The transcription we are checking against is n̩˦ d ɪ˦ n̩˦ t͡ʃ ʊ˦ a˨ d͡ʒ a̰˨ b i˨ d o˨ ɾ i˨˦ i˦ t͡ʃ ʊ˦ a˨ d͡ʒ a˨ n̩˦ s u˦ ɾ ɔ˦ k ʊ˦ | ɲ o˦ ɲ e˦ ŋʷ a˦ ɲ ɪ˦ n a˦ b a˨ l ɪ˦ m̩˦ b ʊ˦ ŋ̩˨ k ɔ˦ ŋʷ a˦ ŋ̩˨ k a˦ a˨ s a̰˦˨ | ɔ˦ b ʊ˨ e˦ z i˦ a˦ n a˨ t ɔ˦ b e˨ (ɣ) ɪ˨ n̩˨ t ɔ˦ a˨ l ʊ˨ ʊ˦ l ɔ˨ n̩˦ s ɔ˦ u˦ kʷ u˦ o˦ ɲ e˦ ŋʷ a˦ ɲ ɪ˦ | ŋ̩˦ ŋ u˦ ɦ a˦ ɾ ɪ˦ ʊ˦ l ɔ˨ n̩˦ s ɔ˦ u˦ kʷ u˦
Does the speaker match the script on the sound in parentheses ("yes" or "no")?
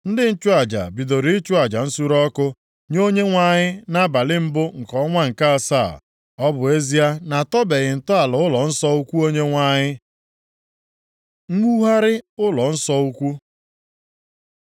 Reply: yes